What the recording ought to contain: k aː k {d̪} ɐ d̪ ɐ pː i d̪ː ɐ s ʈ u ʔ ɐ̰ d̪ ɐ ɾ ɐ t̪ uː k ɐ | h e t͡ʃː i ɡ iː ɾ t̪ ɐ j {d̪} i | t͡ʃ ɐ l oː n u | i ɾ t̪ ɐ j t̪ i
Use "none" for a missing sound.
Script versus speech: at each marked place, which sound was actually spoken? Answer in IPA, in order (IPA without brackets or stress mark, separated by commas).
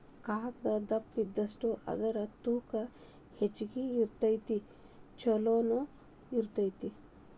d̪, t̪